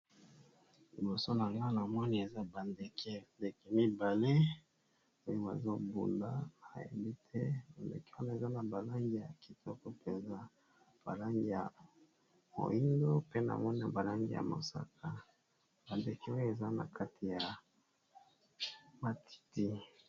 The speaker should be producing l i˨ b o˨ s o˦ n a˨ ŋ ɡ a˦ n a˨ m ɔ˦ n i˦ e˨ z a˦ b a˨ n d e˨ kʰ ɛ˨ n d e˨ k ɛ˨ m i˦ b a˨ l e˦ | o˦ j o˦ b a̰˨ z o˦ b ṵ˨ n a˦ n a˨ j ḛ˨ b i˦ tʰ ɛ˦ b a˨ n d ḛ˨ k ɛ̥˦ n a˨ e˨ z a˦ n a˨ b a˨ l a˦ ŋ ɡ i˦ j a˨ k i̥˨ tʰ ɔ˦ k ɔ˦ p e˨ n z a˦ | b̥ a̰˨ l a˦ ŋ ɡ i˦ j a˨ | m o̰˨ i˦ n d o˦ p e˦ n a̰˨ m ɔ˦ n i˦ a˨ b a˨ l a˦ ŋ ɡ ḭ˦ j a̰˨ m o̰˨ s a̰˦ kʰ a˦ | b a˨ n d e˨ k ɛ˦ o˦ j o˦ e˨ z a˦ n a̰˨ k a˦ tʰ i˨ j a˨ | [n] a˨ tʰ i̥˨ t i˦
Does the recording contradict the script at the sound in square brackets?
yes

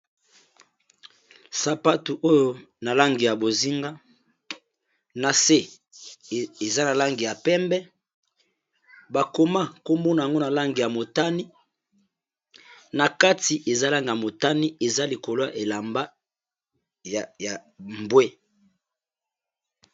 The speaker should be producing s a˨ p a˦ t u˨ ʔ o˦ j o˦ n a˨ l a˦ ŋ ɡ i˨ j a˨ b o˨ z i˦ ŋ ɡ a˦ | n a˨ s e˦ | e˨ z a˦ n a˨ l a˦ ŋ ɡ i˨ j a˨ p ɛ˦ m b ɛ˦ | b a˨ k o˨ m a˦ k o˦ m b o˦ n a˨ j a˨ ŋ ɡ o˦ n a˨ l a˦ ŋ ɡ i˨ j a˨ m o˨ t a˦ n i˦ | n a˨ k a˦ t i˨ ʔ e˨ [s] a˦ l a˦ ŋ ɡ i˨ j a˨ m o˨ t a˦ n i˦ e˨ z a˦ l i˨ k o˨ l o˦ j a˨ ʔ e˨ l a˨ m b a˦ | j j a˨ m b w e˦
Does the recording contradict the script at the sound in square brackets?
yes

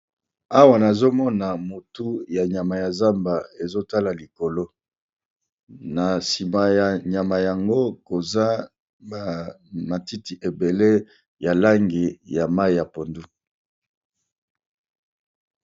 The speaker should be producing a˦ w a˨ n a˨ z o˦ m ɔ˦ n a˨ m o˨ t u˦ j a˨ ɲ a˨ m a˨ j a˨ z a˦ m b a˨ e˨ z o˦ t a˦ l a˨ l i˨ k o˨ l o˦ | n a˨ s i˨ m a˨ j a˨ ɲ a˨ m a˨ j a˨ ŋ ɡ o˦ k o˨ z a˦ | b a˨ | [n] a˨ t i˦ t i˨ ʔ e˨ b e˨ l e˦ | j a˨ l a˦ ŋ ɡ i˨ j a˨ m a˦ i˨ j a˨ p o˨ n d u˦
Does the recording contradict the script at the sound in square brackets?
yes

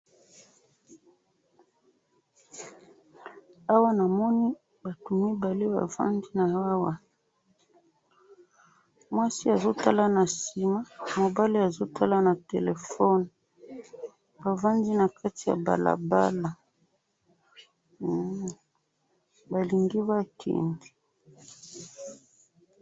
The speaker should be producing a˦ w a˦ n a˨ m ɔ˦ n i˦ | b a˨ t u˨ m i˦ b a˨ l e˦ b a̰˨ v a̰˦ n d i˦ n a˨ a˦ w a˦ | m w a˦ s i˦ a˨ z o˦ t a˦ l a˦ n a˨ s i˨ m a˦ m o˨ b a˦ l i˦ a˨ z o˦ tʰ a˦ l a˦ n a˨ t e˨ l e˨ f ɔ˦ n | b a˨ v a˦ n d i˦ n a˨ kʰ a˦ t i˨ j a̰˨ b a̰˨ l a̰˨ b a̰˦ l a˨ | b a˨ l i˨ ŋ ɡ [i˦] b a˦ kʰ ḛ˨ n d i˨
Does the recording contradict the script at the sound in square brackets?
no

